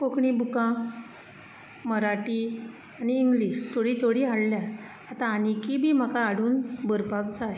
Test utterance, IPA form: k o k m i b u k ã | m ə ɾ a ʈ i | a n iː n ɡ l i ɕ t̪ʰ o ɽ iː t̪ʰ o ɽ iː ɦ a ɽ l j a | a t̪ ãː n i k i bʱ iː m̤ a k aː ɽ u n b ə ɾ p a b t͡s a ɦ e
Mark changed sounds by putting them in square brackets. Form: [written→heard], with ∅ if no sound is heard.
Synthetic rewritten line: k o k [m→ɳ] i b u k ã | m ə ɾ a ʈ i | a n iː [n→ŋ] ɡ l i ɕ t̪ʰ o ɽ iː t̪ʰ o ɽ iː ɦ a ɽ l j a | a t̪ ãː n i k i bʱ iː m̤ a k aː ɽ [u→uː] n b ə ɾ p a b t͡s a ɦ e